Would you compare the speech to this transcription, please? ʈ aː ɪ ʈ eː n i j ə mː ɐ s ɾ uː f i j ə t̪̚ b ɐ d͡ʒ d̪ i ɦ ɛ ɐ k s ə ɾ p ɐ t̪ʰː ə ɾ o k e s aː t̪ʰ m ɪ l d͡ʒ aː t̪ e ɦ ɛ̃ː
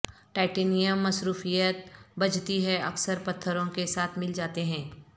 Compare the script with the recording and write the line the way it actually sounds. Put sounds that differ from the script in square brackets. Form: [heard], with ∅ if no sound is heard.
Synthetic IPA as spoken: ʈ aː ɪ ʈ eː n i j ə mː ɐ s ɾ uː f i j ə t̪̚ b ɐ d͡ʒ [t̪] i ɦ ɛ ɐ k s ə ɾ p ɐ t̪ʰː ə ɾ [õ] k e s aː t̪ʰ m ɪ l d͡ʒ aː t̪ e ɦ ɛ̃ː